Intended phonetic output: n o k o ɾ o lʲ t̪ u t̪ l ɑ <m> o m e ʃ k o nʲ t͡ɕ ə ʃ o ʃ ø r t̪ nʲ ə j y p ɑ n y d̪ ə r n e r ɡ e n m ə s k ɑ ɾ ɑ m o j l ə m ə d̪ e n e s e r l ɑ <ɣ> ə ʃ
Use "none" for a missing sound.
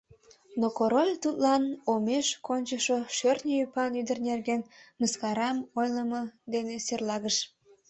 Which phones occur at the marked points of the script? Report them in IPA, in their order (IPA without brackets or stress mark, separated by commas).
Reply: n, ɣ